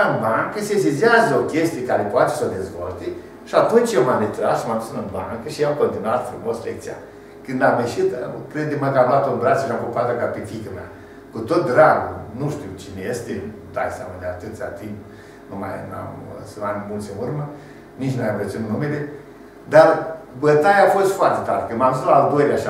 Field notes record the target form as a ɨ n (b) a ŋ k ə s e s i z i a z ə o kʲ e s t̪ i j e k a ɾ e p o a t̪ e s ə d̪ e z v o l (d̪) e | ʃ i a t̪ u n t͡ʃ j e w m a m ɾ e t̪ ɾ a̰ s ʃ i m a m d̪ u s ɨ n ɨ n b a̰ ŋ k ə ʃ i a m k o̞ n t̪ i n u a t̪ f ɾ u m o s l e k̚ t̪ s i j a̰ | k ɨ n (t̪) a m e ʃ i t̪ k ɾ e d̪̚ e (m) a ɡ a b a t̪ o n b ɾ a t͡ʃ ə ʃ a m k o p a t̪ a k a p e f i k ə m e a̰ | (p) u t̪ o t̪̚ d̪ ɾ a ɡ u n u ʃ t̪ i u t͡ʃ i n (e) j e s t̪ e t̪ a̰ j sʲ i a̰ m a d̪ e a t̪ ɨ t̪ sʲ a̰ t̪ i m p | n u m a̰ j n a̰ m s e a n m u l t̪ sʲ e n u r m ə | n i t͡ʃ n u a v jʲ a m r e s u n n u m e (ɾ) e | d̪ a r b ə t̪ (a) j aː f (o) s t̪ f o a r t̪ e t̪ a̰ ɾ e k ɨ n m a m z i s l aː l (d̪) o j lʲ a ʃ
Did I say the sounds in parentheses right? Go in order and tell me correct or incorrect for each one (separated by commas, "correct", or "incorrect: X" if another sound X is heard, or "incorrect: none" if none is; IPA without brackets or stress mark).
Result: correct, incorrect: t̪, incorrect: d̪, correct, incorrect: k, correct, incorrect: l, correct, correct, correct